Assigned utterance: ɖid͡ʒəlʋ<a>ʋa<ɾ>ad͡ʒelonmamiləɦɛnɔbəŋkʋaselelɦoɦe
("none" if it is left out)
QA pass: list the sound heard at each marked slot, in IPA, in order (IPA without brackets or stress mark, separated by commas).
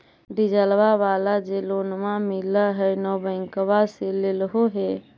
a, l